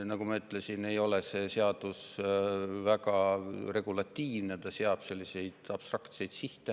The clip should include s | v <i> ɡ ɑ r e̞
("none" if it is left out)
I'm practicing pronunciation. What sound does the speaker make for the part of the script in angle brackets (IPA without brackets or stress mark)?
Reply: æ